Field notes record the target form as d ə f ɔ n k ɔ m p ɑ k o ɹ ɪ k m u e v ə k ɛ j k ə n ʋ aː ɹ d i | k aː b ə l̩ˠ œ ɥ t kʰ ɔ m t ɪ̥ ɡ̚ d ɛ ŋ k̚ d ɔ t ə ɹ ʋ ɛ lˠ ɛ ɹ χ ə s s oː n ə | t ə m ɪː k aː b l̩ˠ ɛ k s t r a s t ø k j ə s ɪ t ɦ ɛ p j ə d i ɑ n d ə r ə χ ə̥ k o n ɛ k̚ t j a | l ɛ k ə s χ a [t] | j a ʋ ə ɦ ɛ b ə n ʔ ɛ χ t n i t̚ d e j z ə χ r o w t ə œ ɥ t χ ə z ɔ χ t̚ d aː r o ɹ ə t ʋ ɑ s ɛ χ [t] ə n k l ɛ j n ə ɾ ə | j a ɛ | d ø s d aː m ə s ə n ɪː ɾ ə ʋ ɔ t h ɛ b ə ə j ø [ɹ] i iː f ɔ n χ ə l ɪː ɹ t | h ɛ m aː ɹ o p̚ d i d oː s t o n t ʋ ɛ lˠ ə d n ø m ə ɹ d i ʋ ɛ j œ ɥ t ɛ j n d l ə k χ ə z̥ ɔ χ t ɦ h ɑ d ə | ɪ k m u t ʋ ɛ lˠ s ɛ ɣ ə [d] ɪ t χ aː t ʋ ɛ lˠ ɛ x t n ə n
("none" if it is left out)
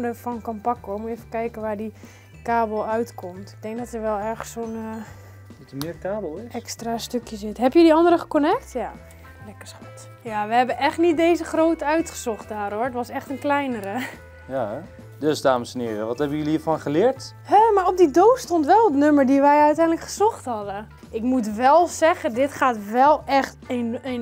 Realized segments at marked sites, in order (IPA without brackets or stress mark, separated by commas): t, t, l, d